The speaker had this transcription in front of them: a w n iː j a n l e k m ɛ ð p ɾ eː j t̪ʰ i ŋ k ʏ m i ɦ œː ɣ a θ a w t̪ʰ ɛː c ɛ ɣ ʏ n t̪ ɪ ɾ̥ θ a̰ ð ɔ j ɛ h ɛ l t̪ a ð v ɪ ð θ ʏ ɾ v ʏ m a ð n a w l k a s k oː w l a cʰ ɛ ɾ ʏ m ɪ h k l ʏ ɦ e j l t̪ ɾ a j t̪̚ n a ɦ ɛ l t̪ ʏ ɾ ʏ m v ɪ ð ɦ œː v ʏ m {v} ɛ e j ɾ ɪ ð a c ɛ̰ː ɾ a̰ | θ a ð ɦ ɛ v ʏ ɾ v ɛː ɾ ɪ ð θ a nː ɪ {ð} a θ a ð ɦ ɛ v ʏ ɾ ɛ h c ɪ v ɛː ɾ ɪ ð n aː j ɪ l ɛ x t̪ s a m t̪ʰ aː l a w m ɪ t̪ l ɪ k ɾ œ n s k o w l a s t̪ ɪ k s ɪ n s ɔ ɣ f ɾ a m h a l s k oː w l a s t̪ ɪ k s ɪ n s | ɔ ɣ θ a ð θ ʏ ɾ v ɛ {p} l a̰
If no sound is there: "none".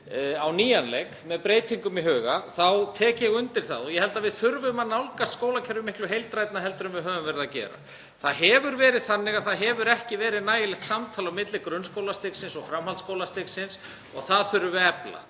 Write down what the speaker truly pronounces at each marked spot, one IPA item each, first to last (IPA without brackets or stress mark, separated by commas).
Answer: v, ɣ, p